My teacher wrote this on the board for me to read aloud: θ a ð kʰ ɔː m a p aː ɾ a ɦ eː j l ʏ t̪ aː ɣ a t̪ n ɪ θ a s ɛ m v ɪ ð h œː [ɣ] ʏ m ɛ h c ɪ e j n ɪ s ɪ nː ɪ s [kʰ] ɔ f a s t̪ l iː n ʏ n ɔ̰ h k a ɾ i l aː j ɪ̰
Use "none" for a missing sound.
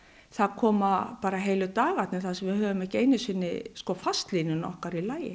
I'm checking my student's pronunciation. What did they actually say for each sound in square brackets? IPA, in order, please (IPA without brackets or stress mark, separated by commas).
v, k